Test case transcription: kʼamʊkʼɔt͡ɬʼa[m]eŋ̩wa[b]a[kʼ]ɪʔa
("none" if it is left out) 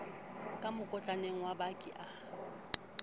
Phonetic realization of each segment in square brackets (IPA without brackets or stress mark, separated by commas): n, b, kʼ